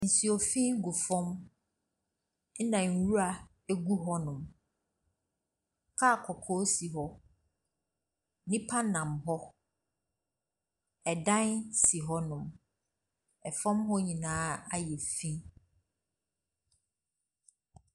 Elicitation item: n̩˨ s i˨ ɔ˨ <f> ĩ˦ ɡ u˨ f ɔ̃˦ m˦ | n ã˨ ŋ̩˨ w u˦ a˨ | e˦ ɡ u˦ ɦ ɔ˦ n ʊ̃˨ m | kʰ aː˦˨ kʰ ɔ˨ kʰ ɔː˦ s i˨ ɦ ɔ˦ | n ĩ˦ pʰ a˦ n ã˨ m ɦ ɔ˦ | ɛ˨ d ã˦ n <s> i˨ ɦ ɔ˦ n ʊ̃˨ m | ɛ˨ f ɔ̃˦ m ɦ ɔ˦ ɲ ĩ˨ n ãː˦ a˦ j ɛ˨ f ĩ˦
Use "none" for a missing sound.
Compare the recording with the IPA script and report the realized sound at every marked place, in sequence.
f, s

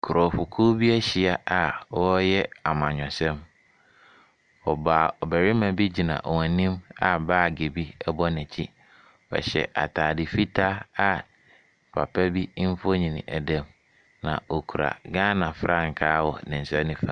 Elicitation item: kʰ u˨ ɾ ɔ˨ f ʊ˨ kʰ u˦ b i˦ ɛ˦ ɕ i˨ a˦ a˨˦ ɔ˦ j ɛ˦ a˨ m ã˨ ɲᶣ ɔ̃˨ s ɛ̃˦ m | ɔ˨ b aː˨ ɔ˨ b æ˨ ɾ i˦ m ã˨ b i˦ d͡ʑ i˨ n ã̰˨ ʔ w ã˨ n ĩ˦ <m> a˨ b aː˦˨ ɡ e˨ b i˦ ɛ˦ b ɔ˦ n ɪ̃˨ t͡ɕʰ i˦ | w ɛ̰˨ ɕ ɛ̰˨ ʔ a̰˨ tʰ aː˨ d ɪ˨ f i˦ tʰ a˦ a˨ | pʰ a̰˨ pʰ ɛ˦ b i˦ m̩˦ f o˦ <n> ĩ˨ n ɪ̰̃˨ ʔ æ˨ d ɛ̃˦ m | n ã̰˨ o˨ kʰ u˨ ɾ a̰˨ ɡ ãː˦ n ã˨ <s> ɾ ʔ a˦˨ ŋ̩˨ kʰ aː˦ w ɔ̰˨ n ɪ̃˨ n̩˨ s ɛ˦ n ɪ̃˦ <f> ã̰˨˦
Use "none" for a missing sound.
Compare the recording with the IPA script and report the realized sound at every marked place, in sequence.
m, ɲ, f, f

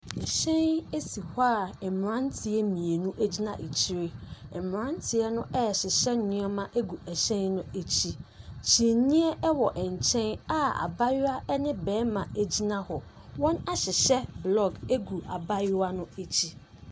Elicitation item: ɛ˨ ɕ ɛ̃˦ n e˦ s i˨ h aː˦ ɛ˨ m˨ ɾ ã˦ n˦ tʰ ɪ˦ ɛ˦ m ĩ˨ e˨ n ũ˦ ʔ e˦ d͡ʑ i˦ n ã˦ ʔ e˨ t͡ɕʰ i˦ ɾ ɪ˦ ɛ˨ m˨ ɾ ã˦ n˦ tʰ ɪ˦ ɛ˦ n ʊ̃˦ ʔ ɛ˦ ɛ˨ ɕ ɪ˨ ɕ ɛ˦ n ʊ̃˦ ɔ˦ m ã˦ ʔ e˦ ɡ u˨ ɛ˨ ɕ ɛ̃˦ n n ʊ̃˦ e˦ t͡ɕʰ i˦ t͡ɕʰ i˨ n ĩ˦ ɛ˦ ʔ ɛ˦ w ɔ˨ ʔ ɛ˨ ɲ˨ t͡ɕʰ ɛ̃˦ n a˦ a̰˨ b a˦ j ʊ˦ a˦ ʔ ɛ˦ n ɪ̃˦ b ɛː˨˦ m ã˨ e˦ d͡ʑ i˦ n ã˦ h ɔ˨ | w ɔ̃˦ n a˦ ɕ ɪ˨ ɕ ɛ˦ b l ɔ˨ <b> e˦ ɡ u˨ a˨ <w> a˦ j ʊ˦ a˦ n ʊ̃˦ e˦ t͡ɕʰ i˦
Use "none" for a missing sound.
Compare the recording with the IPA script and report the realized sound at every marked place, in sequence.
ɡ, b

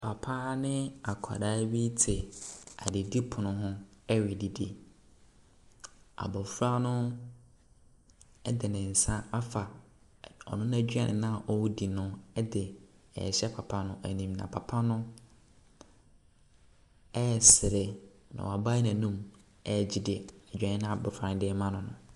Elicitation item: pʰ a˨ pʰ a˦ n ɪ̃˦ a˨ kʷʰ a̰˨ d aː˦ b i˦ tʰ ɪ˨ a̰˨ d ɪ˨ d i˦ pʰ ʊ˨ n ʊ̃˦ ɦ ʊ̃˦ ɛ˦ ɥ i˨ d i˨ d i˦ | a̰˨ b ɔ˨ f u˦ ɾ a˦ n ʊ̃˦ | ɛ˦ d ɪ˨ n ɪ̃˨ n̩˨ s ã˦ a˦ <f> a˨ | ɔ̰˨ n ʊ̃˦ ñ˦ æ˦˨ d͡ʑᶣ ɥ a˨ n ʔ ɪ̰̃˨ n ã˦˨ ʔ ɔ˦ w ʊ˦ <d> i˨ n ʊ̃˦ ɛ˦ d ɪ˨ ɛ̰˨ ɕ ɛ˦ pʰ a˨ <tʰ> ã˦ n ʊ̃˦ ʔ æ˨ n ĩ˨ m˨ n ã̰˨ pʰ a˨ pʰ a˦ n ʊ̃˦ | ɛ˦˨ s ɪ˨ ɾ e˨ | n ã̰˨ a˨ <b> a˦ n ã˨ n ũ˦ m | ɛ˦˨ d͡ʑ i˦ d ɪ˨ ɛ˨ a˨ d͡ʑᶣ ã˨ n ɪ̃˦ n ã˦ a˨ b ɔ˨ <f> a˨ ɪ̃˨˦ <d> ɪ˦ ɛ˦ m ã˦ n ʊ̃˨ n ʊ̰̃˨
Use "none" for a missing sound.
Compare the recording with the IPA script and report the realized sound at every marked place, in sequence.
f, d, pʰ, b, f, d

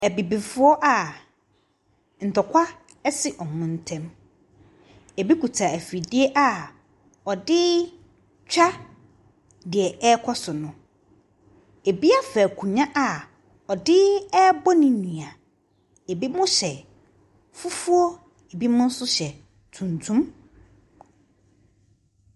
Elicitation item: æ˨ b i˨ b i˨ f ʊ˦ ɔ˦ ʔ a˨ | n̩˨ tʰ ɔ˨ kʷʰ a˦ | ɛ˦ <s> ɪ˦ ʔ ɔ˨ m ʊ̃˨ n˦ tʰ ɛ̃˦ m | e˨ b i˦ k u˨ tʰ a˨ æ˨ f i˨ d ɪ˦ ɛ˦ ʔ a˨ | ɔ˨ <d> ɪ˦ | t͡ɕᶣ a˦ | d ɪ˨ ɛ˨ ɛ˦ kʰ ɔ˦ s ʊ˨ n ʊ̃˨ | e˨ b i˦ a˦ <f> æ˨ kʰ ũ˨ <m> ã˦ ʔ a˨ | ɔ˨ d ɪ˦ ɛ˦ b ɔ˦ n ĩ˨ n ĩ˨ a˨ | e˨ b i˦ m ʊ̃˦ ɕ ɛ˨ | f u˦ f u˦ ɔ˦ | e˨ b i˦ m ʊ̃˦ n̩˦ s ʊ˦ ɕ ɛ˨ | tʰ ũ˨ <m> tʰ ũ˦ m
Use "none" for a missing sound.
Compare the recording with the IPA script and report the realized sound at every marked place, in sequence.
s, d, f, ɲ, n

